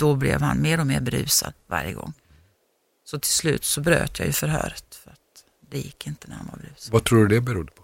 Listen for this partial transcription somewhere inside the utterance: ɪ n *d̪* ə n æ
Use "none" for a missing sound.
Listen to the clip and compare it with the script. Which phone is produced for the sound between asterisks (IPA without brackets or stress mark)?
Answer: t̪